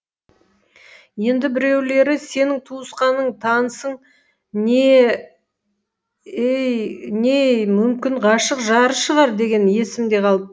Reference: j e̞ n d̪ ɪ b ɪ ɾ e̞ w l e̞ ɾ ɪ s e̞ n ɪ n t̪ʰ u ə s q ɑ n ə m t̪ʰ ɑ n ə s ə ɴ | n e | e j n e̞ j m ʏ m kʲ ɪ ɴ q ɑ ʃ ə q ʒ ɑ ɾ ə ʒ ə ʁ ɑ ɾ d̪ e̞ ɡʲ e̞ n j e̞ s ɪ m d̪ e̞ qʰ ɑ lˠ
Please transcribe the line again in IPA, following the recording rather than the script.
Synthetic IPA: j e̞ n d̪ ɪ b ɪ ɾ e̞ w l e̞ ɾ ɪ s e̞ n ɪ ŋ t̪ʰ u ə s q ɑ n ə ɴ t̪ʰ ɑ n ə s ə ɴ | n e | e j n e̞ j m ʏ m kʲ ɪ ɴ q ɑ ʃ ə q ʒ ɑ ɾ ə ʃ ə ʁ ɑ ɾ d̪ e̞ ɡʲ e̞ n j e̞ s ɪ m d̪ e̞ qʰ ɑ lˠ